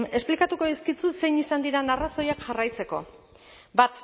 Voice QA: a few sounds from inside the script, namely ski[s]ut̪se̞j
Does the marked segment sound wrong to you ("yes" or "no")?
yes